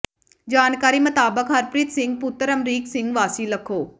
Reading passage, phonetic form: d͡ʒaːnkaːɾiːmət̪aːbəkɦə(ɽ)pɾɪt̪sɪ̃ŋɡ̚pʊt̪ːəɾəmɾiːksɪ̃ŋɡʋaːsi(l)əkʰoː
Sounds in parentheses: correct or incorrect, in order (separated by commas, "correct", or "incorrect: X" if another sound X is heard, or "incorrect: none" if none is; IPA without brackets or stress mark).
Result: incorrect: ɾ, correct